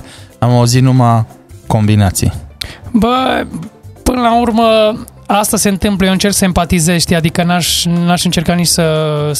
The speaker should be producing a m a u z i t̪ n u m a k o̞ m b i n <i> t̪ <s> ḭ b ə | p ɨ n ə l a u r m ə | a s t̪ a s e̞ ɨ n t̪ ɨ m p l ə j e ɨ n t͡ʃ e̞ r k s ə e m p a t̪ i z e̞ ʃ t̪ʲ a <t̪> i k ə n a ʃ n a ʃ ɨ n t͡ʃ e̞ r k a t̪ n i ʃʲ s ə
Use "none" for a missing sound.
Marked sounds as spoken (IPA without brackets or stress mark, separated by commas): a, s, d̪